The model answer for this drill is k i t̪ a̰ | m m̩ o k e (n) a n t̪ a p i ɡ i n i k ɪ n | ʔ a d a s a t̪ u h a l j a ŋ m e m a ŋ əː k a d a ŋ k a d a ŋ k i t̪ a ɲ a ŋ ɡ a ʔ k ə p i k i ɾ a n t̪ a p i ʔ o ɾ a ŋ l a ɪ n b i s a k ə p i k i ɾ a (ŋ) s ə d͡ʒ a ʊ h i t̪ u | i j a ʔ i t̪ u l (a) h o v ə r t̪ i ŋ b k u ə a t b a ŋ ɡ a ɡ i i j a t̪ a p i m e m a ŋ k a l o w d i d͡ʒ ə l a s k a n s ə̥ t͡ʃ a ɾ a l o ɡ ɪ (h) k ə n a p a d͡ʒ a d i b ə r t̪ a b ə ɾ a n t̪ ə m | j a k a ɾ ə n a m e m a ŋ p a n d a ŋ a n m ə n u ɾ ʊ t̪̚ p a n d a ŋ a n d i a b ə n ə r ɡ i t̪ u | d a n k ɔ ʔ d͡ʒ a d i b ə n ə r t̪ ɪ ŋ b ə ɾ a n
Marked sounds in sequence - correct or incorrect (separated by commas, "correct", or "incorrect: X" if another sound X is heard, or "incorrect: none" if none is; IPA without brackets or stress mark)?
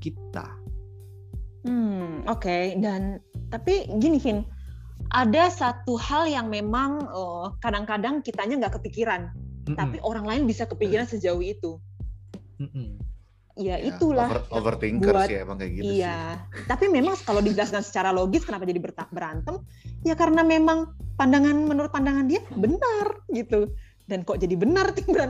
incorrect: d, incorrect: n, correct, incorrect: s